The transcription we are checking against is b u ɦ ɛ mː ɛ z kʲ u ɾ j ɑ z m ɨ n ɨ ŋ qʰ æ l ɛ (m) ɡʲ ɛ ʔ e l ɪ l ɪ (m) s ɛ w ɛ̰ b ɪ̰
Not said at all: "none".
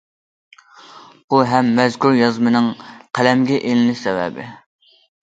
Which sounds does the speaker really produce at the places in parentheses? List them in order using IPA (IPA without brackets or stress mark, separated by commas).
m, none